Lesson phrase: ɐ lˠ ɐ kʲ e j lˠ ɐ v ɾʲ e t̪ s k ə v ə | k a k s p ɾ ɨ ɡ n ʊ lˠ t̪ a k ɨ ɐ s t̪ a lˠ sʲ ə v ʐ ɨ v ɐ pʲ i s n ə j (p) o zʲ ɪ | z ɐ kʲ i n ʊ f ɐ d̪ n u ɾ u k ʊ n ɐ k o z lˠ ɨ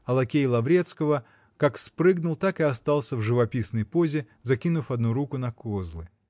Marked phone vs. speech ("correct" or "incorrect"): correct